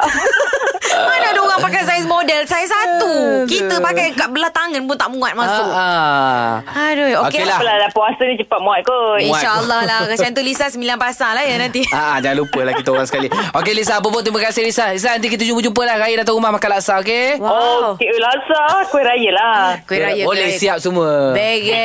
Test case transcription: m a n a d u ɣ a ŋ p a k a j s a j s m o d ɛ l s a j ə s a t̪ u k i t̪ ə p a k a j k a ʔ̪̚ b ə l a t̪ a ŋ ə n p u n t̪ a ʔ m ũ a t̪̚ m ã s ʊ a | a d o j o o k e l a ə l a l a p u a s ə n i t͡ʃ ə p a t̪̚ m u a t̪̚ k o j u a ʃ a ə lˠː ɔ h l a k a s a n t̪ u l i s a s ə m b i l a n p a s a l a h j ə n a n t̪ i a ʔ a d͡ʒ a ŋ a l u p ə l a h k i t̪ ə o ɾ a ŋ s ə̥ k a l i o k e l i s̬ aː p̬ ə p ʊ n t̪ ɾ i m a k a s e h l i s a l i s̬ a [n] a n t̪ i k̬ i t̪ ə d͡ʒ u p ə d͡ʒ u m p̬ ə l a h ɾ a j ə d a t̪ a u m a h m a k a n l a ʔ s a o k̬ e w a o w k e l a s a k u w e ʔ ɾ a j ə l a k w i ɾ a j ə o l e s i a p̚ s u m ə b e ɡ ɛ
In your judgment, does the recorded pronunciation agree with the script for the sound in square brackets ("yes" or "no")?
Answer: yes